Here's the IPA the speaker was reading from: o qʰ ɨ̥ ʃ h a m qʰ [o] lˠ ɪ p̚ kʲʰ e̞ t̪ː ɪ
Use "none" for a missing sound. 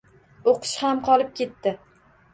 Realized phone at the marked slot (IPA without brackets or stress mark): ɒ